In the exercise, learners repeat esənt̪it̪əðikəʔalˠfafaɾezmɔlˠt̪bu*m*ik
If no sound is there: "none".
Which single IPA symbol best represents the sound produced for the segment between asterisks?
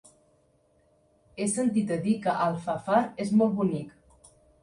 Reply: n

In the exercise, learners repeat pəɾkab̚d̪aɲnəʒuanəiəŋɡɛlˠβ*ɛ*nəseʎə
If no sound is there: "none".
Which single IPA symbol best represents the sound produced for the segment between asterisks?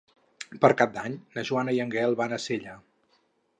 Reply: a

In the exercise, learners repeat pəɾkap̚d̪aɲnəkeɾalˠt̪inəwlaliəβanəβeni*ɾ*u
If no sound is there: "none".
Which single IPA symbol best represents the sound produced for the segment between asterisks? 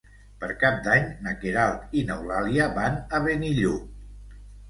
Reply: ʎ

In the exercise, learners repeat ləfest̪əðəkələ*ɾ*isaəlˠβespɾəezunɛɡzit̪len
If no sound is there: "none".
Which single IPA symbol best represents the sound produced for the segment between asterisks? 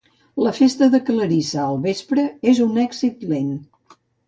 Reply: ɾ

